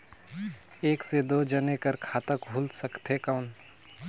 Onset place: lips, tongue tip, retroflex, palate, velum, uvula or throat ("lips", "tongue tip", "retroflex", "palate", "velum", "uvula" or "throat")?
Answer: velum